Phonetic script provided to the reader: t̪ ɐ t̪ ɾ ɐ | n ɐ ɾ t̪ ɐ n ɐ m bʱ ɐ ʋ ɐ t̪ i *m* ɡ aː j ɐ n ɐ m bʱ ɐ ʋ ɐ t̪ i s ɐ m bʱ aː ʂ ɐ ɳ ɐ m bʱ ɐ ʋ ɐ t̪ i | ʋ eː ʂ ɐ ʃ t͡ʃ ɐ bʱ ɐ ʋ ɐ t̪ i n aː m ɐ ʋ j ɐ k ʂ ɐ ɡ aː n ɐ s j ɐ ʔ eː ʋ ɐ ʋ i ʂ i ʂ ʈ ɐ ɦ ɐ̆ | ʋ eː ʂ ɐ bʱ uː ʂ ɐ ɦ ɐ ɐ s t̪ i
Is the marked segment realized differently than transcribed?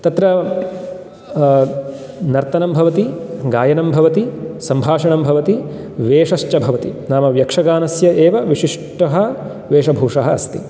yes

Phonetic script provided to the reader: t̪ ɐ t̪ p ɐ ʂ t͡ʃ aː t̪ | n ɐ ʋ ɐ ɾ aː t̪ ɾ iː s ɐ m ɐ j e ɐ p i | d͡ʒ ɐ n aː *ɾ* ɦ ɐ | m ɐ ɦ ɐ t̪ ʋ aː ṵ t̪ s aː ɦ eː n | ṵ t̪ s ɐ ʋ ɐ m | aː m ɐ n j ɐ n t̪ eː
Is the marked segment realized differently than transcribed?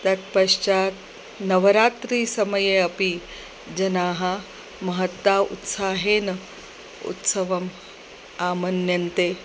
yes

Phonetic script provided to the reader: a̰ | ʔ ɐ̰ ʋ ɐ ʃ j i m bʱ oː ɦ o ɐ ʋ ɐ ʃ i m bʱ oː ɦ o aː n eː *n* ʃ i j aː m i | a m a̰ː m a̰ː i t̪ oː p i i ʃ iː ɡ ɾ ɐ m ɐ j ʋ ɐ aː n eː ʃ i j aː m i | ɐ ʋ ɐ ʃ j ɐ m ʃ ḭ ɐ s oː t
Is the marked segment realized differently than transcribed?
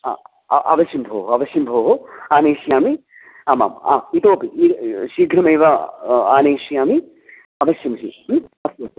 yes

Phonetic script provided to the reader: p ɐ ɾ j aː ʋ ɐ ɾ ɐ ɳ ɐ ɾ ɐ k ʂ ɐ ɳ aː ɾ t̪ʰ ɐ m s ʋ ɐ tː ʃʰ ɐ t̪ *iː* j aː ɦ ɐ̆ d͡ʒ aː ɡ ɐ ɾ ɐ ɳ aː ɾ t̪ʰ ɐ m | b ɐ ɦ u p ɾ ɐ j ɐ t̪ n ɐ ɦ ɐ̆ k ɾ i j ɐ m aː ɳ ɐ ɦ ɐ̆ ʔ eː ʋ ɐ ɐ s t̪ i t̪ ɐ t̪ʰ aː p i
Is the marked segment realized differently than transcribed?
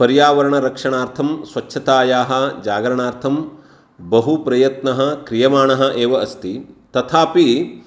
yes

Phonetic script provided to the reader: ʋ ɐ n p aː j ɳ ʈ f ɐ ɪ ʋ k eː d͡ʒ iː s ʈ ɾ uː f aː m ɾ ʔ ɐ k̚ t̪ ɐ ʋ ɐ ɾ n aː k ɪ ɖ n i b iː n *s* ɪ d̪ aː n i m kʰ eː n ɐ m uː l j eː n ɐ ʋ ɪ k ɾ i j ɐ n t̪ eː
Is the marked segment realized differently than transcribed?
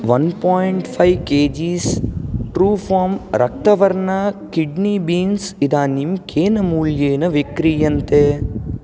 no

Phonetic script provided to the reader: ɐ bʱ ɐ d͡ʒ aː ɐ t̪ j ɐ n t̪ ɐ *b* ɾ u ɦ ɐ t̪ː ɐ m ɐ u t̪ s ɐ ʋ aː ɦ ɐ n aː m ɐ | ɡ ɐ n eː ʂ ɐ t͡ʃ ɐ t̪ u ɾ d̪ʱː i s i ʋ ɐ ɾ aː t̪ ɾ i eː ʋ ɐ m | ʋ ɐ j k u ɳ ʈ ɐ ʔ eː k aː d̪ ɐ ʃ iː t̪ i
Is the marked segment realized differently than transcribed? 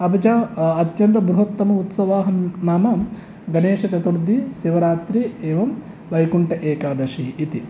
no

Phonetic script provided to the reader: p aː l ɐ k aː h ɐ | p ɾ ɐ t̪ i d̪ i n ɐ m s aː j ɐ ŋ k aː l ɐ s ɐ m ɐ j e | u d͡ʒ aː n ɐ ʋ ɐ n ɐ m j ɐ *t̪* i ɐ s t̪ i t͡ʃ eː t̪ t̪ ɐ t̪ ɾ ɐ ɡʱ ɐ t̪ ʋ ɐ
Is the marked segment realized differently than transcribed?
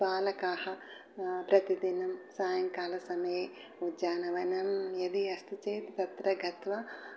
yes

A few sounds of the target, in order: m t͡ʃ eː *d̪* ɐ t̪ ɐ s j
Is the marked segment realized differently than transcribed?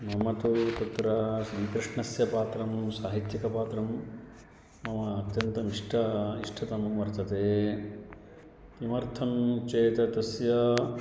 yes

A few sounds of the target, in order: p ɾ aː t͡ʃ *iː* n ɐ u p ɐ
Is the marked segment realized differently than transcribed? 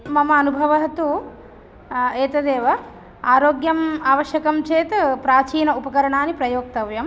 no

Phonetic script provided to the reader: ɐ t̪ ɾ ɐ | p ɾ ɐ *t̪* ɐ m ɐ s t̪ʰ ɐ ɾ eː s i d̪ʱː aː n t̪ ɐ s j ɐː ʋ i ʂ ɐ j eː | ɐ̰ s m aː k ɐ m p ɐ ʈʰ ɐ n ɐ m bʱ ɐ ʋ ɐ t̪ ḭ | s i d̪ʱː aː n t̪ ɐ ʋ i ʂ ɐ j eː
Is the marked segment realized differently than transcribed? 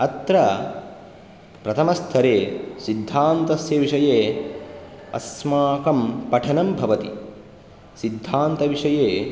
yes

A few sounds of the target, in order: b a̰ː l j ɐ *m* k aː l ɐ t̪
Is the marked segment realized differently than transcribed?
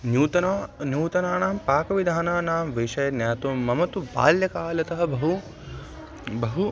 yes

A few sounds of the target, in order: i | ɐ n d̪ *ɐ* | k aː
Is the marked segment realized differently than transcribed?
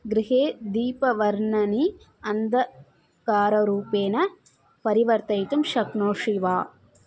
no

